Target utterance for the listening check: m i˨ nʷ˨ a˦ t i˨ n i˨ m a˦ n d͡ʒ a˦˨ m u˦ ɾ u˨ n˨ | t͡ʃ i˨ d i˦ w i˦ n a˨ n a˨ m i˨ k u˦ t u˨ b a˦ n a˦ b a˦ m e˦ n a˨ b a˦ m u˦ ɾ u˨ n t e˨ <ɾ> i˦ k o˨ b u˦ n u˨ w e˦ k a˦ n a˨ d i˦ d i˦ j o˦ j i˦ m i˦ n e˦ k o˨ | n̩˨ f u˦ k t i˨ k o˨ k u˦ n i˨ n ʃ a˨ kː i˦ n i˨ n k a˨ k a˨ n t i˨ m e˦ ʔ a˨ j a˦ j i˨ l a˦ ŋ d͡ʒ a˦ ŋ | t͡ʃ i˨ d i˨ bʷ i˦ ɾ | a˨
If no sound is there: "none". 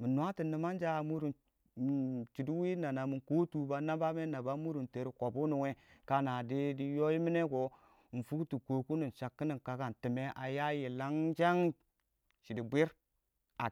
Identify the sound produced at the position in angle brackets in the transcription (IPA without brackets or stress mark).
ɾ